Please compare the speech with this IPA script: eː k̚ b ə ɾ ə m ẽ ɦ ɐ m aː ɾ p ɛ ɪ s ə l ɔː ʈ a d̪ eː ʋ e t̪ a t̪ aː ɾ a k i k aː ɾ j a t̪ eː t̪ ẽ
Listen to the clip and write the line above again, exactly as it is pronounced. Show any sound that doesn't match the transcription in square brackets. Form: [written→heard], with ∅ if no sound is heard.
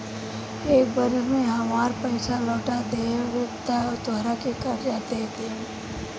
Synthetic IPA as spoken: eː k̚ b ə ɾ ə m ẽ ɦ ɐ m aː ɾ p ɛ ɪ s [ə→a] l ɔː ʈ a d̪ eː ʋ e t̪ a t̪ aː ɾ a k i k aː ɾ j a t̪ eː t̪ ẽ